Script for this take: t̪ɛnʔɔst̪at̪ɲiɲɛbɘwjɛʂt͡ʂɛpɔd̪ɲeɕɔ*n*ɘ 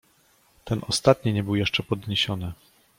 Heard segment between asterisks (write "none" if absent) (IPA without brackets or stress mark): n